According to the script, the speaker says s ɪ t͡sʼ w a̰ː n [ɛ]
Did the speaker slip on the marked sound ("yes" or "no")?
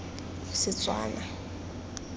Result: yes